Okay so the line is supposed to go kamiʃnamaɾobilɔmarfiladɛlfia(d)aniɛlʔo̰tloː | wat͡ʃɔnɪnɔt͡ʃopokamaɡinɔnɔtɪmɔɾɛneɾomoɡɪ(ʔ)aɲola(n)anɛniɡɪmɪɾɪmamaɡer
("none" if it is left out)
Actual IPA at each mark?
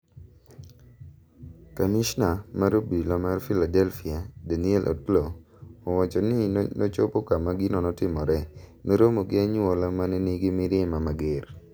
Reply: d, none, m

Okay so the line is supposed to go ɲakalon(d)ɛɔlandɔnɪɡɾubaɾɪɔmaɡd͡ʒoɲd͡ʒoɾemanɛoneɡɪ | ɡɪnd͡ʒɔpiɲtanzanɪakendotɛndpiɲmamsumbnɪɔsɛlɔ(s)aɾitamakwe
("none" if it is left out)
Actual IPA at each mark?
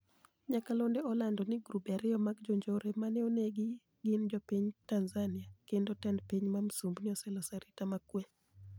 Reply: d, s

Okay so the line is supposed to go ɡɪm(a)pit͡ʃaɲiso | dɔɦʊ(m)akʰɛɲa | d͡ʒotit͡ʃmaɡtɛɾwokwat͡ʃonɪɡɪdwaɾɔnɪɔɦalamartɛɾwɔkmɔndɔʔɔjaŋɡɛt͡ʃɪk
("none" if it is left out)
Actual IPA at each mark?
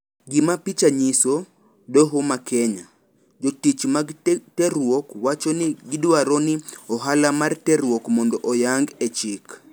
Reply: a, m

